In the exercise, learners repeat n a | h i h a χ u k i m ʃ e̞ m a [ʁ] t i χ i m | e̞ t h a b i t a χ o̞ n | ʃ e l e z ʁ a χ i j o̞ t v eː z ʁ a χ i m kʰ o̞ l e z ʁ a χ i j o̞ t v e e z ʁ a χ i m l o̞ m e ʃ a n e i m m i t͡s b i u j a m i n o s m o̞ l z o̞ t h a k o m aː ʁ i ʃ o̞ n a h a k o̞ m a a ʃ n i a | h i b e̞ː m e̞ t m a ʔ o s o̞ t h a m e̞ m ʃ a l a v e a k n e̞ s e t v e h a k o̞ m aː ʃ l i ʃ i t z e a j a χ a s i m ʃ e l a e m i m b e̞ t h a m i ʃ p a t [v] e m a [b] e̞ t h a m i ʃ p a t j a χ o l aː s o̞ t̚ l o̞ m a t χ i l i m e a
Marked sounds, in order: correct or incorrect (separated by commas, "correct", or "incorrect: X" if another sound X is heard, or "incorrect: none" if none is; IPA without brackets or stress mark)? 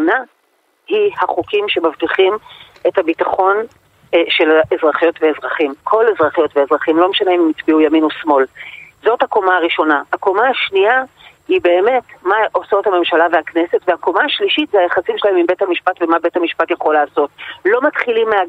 incorrect: v, correct, correct